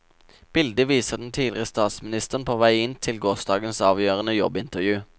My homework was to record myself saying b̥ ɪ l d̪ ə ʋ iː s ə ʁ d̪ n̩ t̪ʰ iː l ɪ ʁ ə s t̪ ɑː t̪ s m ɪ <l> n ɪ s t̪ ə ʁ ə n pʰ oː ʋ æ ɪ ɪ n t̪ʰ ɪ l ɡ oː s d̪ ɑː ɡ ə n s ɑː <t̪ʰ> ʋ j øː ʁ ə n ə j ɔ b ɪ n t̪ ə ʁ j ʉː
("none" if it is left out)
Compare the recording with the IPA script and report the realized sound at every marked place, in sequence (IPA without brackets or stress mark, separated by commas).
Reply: none, none